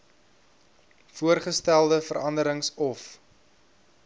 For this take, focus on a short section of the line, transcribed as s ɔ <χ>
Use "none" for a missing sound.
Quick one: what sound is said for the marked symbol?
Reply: f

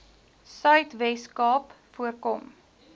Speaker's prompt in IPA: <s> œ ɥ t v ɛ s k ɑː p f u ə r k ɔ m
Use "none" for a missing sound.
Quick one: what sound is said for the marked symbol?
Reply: s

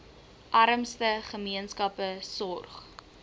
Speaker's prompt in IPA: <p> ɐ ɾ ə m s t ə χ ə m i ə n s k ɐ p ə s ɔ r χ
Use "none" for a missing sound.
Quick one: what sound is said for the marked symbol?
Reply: ʔ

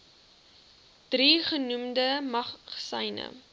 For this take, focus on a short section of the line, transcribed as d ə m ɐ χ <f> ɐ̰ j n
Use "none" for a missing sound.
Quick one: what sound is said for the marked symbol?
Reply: s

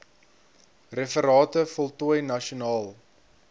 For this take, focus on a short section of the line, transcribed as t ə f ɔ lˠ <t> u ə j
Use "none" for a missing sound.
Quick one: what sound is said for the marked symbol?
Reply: t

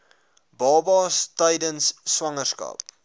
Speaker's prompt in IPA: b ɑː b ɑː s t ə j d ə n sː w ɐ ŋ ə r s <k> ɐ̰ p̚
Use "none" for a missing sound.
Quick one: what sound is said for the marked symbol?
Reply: k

